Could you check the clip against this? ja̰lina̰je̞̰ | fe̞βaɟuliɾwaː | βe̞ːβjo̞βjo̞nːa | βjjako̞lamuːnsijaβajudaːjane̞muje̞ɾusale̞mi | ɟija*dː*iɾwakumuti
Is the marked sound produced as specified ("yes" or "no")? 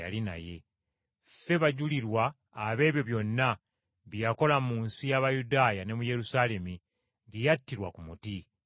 no